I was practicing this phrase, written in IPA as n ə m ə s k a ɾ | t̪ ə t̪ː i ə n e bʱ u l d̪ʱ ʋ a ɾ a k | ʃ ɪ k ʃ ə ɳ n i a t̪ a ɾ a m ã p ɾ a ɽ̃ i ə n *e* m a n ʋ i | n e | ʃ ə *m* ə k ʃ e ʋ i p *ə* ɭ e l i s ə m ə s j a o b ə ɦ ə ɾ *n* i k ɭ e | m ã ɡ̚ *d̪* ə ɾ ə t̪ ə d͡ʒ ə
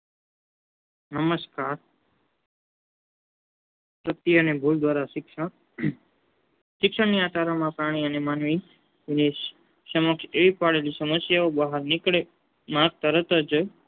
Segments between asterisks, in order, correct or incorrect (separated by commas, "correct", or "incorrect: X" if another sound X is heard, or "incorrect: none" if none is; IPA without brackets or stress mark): correct, correct, incorrect: a, correct, incorrect: t̪